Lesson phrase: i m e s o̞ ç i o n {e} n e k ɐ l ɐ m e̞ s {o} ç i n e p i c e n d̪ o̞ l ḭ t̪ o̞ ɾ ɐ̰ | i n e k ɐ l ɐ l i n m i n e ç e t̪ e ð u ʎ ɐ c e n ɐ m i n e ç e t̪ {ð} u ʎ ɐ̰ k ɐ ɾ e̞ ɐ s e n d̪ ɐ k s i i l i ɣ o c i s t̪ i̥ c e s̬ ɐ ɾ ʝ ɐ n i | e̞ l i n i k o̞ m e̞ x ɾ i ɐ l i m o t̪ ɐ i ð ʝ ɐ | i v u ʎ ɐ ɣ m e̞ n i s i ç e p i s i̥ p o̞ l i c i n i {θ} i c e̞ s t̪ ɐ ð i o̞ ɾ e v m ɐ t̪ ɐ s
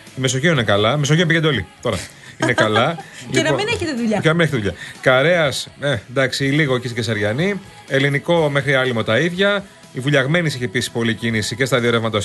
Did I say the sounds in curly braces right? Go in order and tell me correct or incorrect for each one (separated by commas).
incorrect, correct, correct, incorrect